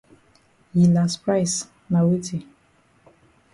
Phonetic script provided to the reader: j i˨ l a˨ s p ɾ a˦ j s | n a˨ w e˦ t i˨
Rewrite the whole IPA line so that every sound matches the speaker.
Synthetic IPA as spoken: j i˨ l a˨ s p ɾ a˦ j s | n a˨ w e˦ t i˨